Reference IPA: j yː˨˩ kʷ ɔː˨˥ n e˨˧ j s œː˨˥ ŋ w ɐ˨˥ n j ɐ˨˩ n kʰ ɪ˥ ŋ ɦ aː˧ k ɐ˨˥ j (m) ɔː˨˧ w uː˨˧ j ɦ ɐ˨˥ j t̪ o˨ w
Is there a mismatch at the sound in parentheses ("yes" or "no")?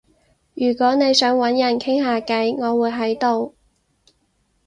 yes